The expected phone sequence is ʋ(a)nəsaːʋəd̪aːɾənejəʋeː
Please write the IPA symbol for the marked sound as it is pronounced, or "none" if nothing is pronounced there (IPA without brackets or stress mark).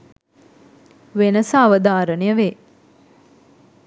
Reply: e